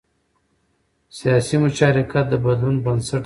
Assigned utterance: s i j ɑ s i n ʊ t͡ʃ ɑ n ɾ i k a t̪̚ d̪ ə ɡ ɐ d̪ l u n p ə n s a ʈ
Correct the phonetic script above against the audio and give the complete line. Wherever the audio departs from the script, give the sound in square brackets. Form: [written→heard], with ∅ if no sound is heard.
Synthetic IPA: s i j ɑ s i [n→m] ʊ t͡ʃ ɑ [n→∅] ɾ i k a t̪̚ d̪ ə [ɡ→b] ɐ d̪ l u n [p→b] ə n s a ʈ

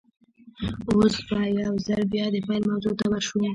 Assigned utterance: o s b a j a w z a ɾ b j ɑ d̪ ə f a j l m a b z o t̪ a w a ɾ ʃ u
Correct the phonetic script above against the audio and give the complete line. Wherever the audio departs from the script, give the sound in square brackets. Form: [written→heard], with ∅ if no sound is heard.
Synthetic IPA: o s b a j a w z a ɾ b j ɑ d̪ ə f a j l m a [b→w] z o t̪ a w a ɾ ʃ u

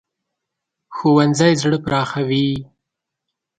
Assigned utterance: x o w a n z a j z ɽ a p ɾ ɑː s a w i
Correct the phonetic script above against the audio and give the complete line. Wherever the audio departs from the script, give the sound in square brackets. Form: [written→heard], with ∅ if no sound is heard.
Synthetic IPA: x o w a n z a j z ɽ [a→ə] p ɾ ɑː [s→x] a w i

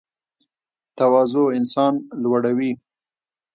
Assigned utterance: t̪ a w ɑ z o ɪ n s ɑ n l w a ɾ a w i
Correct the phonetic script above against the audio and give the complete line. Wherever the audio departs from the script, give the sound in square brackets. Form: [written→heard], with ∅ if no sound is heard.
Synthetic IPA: t̪ a w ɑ z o ɪ n s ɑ n l w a [ɾ→ɽ] a w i

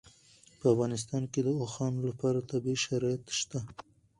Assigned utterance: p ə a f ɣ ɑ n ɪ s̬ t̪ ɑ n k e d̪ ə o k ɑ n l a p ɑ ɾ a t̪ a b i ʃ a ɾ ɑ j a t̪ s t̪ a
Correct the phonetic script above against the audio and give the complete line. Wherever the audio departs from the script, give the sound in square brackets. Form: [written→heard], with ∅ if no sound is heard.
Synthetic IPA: p ə a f ɣ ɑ n ɪ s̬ t̪ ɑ n k e d̪ ə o [k→x] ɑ n l a p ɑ ɾ a t̪ a b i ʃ a ɾ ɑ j a t̪ [s→ʃ] t̪ a

